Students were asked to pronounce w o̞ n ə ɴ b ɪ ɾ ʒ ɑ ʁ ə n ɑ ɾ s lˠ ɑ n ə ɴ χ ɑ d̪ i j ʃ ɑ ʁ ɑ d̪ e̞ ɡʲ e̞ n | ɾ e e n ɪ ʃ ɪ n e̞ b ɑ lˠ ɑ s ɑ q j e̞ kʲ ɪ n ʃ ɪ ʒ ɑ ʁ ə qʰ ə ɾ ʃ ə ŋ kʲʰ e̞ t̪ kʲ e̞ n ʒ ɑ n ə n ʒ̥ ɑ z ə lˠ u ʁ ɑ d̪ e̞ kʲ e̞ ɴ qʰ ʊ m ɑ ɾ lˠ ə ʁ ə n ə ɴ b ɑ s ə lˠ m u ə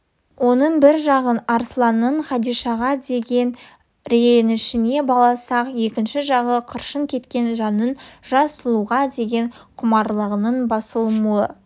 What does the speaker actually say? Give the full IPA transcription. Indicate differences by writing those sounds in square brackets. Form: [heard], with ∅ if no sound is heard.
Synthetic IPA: w o̞ n ə ɴ b ɪ ɾ ʒ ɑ ʁ ə n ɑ ɾ s lˠ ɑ n ə ɴ χ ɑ d̪ i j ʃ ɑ ʁ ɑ d̪ e̞ ɡʲ e̞ n | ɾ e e n ɪ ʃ ɪ n e̞ b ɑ lˠ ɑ s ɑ q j e̞ kʲ ɪ n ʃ ɪ ʒ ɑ ʁ ə qʰ ə ɾ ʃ ə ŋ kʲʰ e̞ t̪ kʲ e̞ n ʒ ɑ n ə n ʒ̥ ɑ [s] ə lˠ u ʁ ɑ d̪ e̞ [ɡʲ] e̞ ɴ qʰ ʊ m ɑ ɾ lˠ ə ʁ ə n ə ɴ b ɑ s ə lˠ m u ə

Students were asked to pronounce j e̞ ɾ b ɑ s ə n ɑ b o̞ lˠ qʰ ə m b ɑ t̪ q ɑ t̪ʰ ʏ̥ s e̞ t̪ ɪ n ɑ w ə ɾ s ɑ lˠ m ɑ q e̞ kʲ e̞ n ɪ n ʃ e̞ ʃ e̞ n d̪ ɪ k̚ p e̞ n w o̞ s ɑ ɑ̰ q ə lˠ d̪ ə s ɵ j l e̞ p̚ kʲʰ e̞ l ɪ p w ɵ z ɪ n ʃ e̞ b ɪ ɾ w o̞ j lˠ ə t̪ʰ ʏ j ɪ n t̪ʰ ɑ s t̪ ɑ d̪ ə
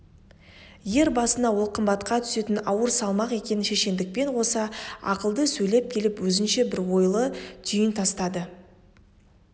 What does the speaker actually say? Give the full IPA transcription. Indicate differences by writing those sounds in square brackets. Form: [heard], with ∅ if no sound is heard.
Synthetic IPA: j e̞ ɾ b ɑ s ə n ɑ [w] o̞ lˠ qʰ ə m b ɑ t̪ q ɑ t̪ʰ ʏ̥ s e̞ t̪ ɪ n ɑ w ə ɾ s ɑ lˠ m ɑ q e̞ kʲ e̞ n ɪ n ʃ e̞ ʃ e̞ n d̪ ɪ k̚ p e̞ n w o̞ s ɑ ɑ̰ q ə lˠ d̪ ə s ɵ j l e̞ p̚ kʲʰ e̞ l ɪ p w ɵ z ɪ n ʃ e̞ b ɪ ɾ w o̞ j lˠ ə t̪ʰ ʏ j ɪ n t̪ʰ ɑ s t̪ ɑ d̪ ə

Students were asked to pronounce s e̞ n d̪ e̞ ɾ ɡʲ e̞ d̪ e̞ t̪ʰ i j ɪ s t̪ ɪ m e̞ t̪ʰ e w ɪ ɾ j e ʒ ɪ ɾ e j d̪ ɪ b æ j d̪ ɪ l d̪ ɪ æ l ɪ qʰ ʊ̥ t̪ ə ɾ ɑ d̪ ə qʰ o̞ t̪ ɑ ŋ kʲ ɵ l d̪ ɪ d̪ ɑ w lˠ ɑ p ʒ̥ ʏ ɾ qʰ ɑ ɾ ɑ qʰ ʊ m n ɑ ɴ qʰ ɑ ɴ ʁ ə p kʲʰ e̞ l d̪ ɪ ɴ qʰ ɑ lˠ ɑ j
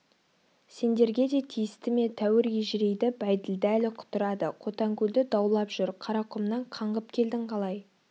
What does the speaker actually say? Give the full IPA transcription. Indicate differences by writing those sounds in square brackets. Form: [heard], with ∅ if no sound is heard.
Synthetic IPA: s e̞ n d̪ e̞ ɾ ɡʲ e̞ d̪ e̞ t̪ʰ i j ɪ s t̪ ɪ m e̞ t̪ʰ [æ] w ɪ ɾ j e ʒ ɪ ɾ e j d̪ ɪ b æ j d̪ ɪ l d̪ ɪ æ l ɪ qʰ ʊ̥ t̪ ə ɾ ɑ d̪ ə qʰ o̞ t̪ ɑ ŋ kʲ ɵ l d̪ ɪ d̪ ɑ w lˠ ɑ p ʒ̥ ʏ ɾ qʰ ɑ ɾ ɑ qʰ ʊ m n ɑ ɴ qʰ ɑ ɴ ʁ ə p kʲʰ e̞ l d̪ ɪ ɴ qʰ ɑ lˠ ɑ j

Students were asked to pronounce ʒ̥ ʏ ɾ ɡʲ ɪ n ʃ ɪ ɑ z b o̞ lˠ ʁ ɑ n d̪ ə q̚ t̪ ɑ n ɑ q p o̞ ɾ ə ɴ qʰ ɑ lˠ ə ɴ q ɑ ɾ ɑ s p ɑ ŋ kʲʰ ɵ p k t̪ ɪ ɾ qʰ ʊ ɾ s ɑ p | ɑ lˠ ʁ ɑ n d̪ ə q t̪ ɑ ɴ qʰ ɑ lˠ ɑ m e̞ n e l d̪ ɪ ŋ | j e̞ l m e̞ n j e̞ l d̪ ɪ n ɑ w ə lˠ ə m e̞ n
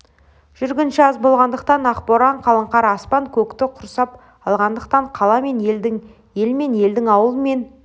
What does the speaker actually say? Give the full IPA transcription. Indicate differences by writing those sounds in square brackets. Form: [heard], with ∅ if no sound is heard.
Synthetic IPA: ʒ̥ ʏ ɾ ɡʲ ɪ n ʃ ɪ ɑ z b o̞ lˠ ʁ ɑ n d̪ ə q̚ t̪ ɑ n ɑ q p o̞ ɾ [ɑ] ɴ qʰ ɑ lˠ ə ɴ q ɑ ɾ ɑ s p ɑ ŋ kʲʰ ɵ [∅] k t̪ ɪ [∅] qʰ ʊ ɾ s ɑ p | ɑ lˠ ʁ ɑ n d̪ ə q t̪ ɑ ɴ qʰ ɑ lˠ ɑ m e̞ n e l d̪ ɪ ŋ | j e̞ l m e̞ n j e̞ l d̪ ɪ [ŋ] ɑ w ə lˠ ə m e̞ n

